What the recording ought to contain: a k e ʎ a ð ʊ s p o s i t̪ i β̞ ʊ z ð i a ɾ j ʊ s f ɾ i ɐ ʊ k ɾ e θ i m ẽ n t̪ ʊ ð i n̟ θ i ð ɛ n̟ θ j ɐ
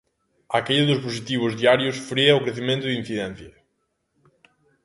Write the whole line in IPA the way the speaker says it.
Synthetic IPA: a k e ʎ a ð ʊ s p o s i t̪ i β̞ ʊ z ð i a ɾ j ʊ s f ɾ i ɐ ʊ k ɾ e θ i m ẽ n t̪ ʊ ð i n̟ θ i ð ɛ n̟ θ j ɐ

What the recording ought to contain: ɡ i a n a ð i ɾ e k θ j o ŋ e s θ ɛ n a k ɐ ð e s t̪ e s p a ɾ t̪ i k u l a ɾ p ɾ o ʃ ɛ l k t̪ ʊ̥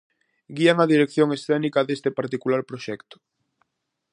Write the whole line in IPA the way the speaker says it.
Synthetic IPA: ɡ i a ŋ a ð i ɾ e k θ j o ŋ e s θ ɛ n i k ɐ ð e s t̪ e p a ɾ t̪ i k u l a ɾ p ɾ o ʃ ɛ k t̪ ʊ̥

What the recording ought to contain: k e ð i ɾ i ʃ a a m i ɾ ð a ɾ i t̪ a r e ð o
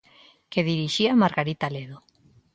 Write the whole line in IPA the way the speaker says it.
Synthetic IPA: k e ð i ɾ i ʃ i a m a ɾ ɣ a ɾ i t̪ a l e ð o

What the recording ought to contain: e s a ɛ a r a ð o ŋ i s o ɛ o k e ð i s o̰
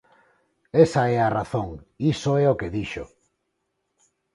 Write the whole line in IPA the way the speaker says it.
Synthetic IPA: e s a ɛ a r a θ o ŋ i s o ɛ o k e ð i ʃ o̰

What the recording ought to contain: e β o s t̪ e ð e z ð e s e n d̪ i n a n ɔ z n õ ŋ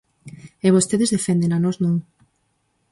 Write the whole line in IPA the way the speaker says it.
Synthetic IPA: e β o s t̪ e ð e z ð e f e n d̪ e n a n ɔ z n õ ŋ

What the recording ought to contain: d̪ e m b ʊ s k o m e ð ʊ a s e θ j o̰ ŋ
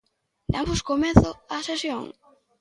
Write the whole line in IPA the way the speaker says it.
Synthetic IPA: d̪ a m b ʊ s k o m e θ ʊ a s e s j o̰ ŋ

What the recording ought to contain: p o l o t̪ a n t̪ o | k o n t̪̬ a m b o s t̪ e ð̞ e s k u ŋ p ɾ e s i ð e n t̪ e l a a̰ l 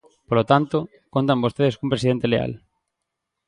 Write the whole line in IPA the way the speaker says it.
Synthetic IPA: p o l o t̪ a n t̪ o | k o n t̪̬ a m b o s t̪ e ð̞ e s k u m p ɾ e s i ð e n t̪ e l e a̰ l

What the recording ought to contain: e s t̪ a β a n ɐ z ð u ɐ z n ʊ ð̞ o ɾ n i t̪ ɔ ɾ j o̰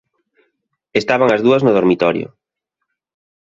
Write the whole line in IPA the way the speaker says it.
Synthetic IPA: e s t̪ a β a ŋ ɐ z ð u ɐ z n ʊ ð̞ o ɾ m i t̪ ɔ ɾ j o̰

